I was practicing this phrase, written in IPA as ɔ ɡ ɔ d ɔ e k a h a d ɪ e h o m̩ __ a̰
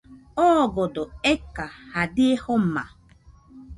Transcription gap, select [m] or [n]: m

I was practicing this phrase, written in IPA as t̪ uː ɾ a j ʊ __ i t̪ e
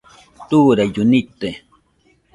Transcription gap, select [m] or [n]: n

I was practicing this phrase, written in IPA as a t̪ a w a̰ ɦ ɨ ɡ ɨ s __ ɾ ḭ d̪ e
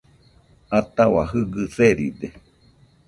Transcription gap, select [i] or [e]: e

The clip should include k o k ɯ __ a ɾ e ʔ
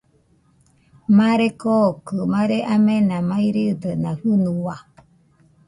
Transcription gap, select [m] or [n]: m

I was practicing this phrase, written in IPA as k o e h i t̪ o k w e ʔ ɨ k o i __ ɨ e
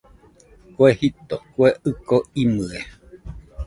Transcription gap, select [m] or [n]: m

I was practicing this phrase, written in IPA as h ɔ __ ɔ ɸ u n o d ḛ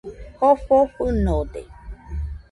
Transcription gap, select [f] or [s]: f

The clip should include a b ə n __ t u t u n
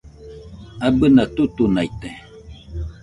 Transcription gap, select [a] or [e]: a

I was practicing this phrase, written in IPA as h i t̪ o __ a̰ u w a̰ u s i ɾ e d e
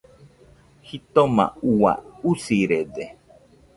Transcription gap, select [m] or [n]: m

